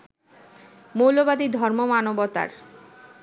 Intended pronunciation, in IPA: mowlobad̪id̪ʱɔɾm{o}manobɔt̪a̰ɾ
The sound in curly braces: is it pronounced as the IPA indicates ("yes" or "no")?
yes